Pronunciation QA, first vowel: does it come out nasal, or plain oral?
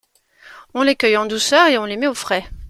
nasal